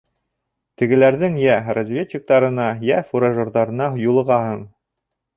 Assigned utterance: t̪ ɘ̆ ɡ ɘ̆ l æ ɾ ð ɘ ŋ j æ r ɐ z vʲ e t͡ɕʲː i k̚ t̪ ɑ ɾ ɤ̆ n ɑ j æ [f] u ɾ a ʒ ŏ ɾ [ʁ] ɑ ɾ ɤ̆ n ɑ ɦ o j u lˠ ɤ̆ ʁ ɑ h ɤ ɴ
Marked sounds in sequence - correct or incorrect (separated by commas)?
correct, incorrect